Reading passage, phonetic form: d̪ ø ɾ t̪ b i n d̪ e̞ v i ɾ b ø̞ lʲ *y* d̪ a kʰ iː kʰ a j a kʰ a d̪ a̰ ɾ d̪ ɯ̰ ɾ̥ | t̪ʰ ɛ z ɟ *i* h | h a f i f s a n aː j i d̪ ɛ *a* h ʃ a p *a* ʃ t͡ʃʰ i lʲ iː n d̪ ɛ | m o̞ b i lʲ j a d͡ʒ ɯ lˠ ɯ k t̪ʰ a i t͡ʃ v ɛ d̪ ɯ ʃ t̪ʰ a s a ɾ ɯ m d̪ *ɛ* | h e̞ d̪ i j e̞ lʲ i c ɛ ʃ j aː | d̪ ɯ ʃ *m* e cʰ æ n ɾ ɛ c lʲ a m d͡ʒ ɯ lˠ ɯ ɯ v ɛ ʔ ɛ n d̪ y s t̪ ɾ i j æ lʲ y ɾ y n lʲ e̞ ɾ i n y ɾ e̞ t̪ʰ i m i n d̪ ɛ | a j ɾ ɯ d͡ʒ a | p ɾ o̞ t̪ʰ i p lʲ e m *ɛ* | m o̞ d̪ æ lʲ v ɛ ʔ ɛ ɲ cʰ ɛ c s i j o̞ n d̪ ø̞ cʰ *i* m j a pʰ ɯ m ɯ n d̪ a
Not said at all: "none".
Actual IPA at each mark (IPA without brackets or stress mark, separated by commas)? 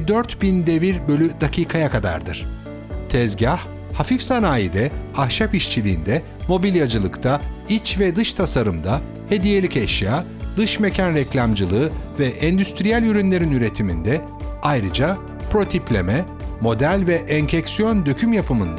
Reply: y, a, a, i, a, m, ɛ, y